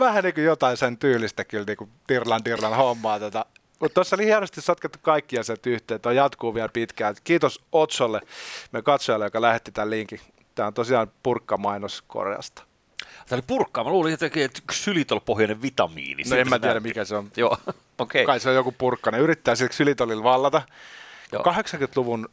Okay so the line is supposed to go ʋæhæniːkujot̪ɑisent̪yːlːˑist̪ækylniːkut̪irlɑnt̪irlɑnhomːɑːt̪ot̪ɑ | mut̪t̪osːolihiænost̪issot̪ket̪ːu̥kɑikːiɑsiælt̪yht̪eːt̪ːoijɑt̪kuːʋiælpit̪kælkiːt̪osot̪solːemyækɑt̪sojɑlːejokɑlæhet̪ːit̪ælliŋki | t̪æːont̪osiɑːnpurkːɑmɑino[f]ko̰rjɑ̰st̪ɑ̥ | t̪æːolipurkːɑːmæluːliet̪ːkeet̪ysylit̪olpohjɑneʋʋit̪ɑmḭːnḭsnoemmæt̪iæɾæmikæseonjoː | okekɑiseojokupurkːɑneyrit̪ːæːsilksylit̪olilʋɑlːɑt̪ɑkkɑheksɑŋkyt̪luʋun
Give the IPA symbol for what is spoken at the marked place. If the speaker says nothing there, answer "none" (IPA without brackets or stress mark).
s